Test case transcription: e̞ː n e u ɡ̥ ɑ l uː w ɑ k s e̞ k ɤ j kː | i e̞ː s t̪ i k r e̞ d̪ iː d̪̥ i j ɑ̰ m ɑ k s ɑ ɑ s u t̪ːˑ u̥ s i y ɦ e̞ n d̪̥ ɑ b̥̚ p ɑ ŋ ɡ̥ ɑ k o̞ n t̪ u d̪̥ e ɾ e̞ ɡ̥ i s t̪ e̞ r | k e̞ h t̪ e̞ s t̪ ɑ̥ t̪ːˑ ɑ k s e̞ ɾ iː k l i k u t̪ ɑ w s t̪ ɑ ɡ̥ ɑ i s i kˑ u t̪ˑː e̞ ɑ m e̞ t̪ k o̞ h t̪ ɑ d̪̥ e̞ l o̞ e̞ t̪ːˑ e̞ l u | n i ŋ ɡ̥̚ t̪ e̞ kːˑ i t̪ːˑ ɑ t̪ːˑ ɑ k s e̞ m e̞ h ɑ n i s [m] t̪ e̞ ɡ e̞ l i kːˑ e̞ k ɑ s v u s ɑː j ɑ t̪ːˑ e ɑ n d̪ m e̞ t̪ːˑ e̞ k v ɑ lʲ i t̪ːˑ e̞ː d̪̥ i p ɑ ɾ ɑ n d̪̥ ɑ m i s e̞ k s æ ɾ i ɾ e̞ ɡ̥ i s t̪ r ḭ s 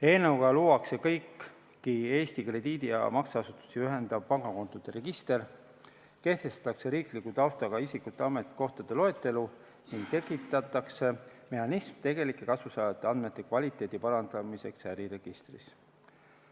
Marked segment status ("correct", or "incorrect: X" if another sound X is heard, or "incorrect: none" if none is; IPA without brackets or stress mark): correct